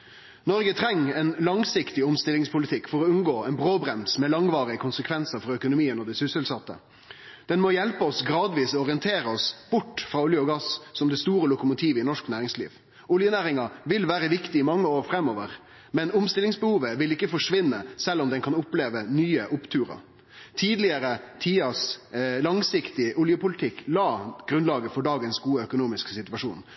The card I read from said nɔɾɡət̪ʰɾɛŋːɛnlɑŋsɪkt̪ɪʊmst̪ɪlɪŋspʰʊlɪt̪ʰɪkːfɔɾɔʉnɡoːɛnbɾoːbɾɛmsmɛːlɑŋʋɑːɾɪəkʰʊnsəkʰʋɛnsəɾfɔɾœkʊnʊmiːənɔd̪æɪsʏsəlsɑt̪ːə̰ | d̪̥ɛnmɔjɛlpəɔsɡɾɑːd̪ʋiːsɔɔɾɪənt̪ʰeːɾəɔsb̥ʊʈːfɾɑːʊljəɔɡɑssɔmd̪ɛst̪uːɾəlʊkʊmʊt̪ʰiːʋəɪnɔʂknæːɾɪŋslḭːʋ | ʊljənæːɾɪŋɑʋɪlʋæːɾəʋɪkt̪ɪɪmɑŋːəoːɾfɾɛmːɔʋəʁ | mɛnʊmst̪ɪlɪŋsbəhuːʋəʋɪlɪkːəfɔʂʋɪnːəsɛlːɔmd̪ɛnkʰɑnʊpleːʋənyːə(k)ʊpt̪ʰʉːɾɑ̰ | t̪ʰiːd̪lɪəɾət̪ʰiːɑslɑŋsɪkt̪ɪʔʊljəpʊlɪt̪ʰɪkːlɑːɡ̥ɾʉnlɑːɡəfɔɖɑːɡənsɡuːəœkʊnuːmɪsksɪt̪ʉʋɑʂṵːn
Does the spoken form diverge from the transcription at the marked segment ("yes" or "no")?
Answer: yes